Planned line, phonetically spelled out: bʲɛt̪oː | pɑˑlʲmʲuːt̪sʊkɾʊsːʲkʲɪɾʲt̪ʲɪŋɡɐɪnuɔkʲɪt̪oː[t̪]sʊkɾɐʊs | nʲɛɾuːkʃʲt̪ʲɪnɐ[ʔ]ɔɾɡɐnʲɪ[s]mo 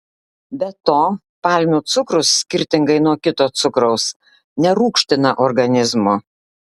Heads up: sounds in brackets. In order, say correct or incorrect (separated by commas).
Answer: correct, correct, incorrect